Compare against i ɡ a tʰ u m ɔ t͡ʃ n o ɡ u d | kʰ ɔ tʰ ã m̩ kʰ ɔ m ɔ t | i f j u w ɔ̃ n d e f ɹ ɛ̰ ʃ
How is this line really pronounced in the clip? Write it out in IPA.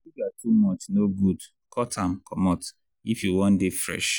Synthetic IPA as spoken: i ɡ a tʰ u m ɔ t͡ʃ n o ɡ u d | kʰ ɔ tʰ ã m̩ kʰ ɔ m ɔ t | i f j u w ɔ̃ n d e f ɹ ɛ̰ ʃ

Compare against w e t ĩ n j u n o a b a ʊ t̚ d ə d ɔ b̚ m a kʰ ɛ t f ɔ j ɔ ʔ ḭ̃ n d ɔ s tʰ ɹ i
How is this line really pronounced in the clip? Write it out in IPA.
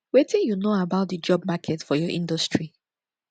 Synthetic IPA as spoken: w e t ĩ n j u n o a b a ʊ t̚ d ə d͡ʒ ɔ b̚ m a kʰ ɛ t f ɔ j ɔ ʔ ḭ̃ n d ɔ s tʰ ɹ i

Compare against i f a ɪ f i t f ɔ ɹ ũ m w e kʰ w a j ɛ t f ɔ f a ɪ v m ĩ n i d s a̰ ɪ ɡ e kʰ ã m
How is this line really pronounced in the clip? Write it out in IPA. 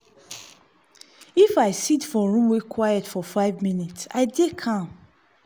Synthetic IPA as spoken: i f a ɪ s i t f ɔ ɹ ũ m w e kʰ w a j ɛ t f ɔ f a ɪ v m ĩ n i t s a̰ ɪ d e kʰ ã m

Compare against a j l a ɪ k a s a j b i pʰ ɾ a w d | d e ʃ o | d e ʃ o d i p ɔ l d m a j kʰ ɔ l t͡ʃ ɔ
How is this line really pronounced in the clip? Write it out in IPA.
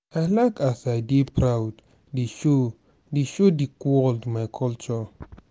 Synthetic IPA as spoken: a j l a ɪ k a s a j d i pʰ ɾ a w d | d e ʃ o | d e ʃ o d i k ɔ l d m a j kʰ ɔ l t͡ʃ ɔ

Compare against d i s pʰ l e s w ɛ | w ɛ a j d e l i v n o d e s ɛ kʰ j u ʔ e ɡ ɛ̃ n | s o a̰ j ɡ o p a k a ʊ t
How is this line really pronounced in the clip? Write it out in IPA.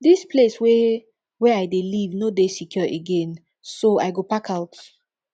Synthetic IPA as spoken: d i s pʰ l e s w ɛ | w ɛ a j d e l i v n o d e s i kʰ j ɔ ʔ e ɡ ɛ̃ n | s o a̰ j ɡ o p a k a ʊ t

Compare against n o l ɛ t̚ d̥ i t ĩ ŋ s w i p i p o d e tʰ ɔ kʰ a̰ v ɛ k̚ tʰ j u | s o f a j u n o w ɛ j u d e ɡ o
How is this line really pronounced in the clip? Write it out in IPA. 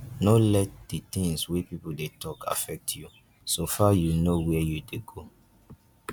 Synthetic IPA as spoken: n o l ɛ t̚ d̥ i t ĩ ŋ s w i p i p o d e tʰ ɔ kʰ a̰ f ɛ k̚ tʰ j u | s o f a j u n o w ɛ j u d e ɡ o

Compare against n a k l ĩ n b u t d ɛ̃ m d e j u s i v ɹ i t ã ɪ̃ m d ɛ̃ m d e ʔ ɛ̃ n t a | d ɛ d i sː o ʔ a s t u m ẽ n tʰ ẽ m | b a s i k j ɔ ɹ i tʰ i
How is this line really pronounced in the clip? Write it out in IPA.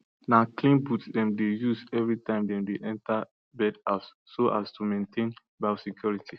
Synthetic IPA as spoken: n a k l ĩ n b u t d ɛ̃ m d e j u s ɛ v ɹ i t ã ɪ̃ m d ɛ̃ m d e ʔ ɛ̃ n t a | b ɛ d a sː o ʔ a s t u m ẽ n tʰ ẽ n | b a s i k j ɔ ɹ i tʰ i

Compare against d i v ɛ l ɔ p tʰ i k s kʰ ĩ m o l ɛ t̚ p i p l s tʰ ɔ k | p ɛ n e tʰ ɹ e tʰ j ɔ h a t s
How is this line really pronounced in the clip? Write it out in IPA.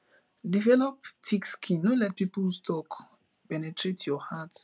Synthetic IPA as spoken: d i v ɛ l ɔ p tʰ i k s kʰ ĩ n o l ɛ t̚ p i p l s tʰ ɔ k | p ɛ n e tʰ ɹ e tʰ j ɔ h a t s

